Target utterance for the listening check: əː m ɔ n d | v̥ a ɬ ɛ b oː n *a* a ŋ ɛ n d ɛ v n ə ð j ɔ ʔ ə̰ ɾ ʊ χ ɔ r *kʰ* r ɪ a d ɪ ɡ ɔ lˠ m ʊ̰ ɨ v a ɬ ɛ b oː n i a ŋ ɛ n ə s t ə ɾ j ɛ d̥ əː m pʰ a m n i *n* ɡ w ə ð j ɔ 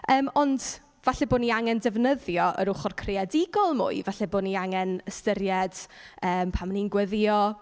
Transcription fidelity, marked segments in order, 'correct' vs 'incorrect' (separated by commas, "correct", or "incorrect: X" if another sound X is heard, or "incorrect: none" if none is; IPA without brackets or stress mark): incorrect: i, correct, correct